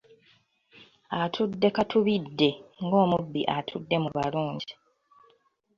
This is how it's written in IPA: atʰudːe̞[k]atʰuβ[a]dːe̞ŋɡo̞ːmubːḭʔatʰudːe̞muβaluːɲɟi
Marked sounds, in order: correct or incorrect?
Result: correct, incorrect: i

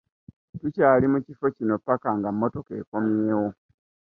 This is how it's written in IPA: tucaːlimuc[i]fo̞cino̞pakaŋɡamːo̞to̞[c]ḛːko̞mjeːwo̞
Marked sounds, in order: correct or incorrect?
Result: correct, incorrect: k

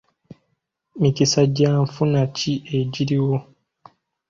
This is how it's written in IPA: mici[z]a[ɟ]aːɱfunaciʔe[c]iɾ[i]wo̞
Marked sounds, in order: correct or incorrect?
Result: incorrect: s, correct, incorrect: ɟ, correct

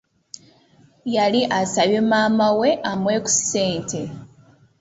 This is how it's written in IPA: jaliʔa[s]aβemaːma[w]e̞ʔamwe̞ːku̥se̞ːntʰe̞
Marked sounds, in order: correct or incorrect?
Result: correct, correct

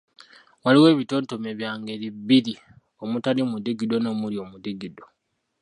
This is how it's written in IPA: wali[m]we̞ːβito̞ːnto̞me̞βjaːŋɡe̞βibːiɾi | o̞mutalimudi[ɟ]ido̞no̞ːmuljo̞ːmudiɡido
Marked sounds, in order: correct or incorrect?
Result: incorrect: none, incorrect: ɡ

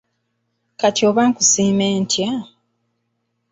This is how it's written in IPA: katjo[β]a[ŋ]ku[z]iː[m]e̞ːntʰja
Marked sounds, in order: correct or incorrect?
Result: correct, correct, incorrect: s, correct

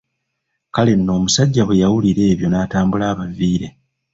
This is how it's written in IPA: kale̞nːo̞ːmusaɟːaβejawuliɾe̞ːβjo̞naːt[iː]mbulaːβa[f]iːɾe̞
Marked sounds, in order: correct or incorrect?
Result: incorrect: aː, incorrect: v

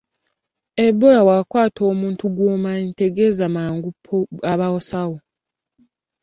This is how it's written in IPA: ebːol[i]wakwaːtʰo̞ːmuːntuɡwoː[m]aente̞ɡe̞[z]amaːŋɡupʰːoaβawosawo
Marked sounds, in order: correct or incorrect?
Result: incorrect: a, correct, correct

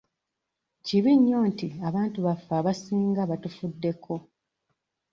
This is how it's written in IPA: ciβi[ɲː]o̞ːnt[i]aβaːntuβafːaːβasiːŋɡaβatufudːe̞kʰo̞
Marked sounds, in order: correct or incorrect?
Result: correct, correct

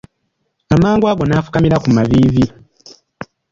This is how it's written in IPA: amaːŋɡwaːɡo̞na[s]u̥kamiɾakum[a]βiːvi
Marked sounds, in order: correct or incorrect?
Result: incorrect: f, correct

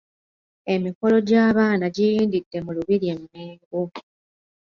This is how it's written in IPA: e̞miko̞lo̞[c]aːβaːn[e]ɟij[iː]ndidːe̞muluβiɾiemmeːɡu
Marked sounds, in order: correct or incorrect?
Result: incorrect: ɟ, incorrect: a, correct

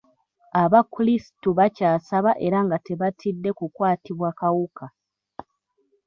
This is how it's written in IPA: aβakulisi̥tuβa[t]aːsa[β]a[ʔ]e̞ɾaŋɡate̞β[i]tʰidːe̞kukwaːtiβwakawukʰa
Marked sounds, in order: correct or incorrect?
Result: incorrect: c, correct, correct, incorrect: a

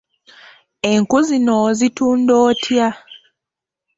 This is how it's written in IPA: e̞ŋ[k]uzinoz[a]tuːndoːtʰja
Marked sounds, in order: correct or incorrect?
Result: correct, incorrect: i

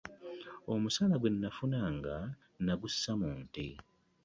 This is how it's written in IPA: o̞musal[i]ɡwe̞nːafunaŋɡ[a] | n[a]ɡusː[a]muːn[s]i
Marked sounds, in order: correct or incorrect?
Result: incorrect: a, correct, correct, correct, incorrect: t

